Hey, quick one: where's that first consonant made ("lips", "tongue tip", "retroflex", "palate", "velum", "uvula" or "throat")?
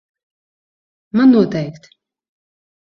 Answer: lips